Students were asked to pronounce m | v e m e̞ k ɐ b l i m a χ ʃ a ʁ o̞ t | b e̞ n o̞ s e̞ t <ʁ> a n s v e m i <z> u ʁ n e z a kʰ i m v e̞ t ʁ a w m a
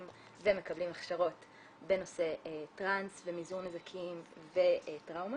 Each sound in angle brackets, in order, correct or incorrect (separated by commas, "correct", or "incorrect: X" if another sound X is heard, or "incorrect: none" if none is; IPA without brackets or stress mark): correct, correct